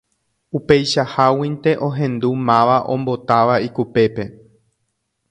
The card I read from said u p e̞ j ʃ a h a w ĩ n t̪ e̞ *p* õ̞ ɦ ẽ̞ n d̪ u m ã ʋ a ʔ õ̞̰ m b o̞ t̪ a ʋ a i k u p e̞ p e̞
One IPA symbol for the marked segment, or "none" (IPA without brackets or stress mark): ʔ